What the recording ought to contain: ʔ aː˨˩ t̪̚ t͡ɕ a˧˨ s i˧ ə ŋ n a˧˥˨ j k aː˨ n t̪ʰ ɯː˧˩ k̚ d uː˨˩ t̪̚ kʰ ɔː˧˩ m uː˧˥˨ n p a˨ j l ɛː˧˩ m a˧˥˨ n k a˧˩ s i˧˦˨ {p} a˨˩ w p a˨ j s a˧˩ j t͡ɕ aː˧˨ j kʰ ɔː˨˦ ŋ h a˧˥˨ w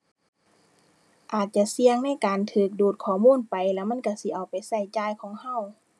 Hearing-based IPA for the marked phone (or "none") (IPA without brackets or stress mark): ʔ